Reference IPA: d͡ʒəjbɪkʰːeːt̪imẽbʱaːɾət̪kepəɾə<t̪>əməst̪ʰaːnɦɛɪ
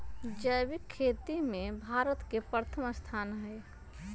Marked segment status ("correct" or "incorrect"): incorrect